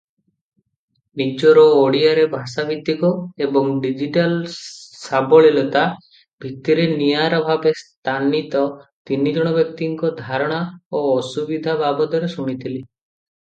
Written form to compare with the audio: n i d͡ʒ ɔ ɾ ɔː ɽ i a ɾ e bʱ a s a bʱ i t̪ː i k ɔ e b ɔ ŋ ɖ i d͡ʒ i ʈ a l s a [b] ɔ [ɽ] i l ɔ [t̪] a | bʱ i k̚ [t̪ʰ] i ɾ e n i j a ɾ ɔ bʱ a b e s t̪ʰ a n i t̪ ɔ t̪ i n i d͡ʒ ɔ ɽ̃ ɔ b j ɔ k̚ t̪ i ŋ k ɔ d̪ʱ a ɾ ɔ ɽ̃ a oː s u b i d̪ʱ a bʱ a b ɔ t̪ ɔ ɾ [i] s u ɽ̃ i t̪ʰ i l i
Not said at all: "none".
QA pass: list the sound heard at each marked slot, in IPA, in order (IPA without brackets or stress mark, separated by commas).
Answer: b, ɭ, t̪, t̪, e